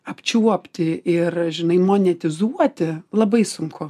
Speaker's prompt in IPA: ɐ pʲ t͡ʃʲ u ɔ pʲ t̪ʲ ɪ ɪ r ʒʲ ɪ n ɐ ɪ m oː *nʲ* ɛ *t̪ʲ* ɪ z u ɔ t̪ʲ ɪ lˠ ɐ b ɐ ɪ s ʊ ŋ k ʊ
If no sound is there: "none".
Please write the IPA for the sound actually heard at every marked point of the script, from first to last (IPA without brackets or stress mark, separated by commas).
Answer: nʲ, t̪ʲ